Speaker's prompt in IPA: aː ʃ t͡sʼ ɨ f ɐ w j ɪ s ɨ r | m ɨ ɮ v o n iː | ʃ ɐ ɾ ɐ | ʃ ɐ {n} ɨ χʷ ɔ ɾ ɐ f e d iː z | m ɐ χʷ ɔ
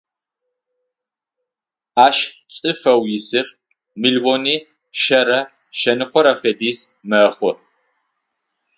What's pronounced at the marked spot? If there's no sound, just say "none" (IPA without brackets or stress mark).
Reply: n